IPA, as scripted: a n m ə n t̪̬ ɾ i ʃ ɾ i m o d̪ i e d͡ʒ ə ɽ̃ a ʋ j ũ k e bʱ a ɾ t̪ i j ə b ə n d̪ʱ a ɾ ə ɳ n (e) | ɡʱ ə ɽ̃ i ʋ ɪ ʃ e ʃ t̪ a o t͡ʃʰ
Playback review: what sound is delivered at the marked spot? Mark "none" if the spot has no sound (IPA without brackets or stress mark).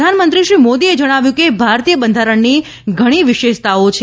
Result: i